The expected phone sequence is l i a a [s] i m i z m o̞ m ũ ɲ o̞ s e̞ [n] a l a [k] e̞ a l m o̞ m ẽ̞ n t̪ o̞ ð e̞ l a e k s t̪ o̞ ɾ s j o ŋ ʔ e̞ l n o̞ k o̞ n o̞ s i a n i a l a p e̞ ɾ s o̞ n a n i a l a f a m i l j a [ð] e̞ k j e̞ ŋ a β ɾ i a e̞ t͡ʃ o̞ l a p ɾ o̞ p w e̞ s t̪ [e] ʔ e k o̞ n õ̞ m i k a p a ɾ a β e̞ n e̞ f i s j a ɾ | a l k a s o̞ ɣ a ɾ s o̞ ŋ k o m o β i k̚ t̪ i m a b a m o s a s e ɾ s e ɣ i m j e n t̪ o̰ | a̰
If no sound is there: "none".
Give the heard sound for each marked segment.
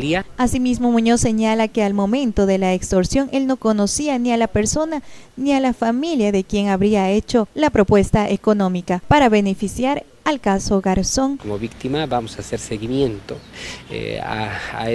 s, ɲ, k, ð, a

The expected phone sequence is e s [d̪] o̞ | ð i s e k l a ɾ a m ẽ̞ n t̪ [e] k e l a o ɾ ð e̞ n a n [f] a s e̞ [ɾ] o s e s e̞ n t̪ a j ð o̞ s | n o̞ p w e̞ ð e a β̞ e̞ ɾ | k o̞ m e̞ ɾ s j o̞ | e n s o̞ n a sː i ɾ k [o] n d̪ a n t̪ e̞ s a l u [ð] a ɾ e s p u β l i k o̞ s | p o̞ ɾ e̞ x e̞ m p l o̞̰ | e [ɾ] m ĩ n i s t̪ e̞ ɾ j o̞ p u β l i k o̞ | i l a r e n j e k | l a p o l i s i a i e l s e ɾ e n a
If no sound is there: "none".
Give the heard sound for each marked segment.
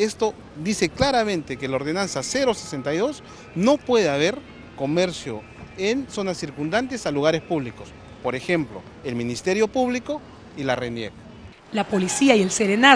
t̪, e, s, ɾ, u, ɣ, l

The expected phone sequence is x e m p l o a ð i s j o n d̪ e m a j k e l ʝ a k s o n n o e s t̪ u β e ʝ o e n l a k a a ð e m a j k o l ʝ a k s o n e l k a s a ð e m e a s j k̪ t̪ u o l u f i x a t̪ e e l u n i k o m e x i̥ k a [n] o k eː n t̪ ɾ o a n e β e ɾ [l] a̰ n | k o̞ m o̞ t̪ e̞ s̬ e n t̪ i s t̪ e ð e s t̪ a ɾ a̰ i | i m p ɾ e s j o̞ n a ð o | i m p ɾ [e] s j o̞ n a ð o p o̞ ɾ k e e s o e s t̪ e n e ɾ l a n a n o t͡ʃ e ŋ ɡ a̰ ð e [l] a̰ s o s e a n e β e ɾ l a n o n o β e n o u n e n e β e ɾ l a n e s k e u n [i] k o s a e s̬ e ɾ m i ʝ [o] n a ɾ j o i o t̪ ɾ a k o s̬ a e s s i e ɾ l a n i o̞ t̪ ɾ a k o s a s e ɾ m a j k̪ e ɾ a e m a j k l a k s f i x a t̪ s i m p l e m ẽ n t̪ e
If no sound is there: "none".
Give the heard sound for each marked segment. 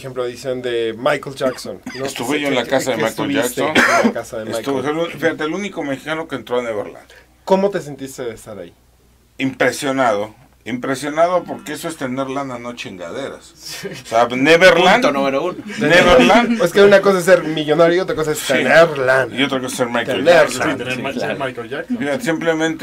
n, l, e, ɾ, a, o

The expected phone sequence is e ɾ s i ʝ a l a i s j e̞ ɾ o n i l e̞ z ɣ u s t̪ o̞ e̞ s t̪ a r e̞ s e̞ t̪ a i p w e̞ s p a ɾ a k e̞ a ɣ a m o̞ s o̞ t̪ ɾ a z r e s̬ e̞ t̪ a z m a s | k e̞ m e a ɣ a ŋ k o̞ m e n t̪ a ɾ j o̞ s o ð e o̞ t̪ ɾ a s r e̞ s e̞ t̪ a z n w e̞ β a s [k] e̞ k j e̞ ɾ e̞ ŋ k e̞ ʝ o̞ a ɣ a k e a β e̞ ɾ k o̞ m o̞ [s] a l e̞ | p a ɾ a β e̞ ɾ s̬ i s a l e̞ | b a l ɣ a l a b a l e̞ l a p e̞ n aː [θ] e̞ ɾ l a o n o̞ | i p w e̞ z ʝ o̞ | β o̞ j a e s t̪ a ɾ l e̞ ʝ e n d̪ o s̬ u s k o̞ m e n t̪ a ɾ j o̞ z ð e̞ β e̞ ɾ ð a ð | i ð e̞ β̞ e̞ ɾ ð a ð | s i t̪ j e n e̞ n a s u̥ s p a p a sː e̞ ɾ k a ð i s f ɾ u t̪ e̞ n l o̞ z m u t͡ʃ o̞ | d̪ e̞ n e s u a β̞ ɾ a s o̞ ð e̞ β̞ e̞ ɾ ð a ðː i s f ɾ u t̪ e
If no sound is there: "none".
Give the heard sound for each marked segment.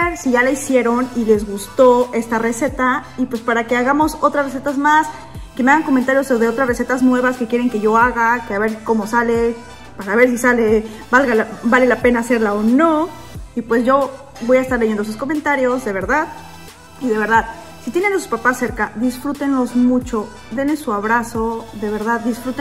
k, s, s

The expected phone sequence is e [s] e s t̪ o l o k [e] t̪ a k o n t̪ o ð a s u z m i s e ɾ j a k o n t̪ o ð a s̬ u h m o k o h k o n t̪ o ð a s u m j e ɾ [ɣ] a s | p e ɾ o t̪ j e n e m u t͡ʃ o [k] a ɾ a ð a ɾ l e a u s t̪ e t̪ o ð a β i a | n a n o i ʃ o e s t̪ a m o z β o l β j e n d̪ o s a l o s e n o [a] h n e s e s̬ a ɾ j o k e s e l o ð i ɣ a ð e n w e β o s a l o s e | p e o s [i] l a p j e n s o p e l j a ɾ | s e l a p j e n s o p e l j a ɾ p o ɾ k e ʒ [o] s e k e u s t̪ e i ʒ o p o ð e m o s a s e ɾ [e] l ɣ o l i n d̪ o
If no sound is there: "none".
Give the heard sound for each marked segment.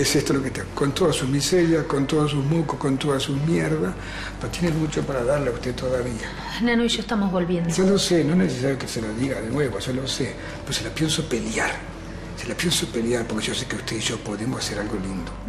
s, e, ð, p, e, e, o, a

